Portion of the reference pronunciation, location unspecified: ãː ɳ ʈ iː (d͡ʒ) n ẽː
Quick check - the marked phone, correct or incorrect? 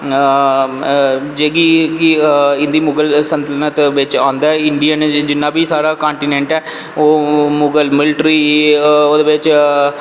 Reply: incorrect: none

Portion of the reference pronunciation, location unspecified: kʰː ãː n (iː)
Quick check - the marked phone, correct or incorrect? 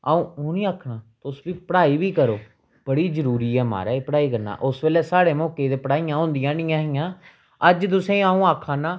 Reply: incorrect: aː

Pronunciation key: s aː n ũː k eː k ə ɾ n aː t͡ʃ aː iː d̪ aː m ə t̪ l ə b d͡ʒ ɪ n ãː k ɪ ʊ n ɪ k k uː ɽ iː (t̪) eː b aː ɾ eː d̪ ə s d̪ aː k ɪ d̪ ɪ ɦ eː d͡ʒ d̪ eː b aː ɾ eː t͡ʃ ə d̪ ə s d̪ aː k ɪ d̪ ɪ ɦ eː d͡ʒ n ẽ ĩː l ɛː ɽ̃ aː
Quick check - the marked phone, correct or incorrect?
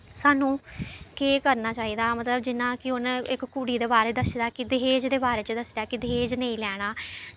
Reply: incorrect: d̪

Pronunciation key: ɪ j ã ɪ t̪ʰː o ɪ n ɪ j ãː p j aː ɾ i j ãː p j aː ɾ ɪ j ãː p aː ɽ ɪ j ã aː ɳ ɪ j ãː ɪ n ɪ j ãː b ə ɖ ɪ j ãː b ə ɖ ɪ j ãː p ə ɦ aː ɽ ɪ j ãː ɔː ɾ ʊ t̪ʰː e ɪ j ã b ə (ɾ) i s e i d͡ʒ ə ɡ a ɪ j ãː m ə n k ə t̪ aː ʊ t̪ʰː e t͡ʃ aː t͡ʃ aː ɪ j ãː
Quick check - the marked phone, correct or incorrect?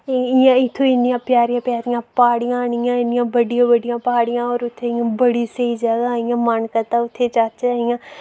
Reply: incorrect: ɽ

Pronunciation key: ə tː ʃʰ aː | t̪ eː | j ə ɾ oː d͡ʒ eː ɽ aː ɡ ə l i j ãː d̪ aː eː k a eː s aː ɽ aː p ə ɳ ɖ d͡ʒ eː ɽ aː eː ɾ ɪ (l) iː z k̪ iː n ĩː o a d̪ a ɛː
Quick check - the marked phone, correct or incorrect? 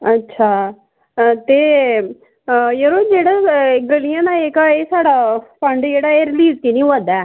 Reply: correct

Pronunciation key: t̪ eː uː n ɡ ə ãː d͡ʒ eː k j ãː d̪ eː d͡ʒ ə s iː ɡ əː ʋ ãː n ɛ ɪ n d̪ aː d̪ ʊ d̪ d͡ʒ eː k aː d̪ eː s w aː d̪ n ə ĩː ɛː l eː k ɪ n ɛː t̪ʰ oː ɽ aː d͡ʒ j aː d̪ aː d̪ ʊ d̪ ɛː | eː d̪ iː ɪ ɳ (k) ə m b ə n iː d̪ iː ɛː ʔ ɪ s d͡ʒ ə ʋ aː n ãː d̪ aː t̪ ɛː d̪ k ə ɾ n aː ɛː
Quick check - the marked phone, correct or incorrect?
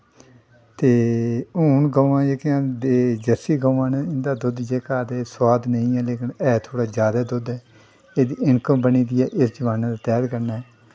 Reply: correct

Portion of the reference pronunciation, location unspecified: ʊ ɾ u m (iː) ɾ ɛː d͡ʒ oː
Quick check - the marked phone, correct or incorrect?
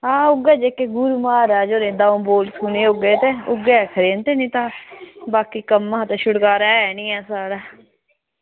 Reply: incorrect: aː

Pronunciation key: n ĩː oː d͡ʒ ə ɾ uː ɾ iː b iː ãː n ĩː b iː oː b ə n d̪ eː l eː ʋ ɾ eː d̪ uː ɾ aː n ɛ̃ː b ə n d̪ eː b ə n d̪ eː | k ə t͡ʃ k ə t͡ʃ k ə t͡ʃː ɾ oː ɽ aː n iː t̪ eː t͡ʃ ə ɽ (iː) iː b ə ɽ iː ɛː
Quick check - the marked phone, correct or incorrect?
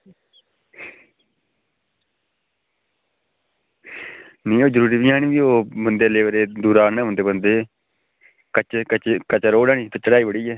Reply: incorrect: aː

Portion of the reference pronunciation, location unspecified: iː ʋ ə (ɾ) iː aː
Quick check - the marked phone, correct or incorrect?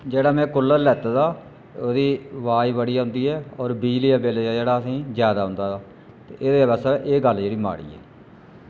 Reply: incorrect: ɽ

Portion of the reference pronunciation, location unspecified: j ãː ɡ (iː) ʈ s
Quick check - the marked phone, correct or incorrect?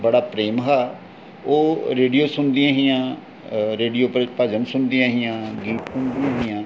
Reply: correct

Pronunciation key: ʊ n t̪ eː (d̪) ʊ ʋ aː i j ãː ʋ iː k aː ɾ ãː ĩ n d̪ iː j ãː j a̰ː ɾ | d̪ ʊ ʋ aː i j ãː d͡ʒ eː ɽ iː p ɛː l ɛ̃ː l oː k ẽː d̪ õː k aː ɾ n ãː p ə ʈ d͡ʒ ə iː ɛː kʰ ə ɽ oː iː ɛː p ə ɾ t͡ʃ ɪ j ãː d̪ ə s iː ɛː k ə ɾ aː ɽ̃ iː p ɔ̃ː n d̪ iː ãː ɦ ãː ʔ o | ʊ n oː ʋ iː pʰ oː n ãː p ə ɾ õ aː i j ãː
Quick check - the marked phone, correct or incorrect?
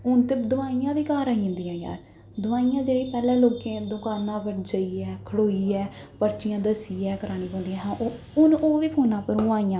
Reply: correct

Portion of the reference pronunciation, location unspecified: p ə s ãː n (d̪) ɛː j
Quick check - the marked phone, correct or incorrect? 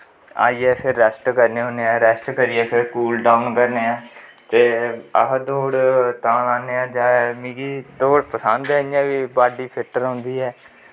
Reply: correct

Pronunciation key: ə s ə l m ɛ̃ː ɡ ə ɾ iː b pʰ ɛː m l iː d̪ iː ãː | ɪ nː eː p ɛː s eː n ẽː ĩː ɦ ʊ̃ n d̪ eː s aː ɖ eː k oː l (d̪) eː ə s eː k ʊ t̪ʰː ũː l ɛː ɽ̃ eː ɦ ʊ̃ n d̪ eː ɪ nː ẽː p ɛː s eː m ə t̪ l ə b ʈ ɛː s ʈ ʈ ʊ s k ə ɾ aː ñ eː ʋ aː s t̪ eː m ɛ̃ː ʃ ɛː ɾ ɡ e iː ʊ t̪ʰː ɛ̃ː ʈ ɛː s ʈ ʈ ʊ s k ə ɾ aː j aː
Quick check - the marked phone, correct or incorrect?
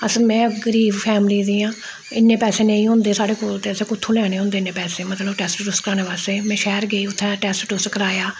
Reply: incorrect: t̪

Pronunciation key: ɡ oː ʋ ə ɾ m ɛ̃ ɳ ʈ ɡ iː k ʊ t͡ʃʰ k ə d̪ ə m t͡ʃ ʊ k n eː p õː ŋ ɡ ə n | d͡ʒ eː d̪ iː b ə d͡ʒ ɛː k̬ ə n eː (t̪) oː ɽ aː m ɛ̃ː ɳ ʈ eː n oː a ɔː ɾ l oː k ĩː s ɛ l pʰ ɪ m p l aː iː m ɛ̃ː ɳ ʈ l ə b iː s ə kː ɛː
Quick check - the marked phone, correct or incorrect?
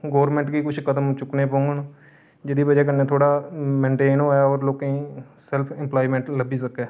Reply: incorrect: t̪ʰ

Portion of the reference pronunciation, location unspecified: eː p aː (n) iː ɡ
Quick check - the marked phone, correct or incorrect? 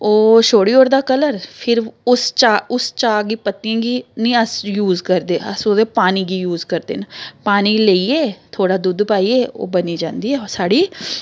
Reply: correct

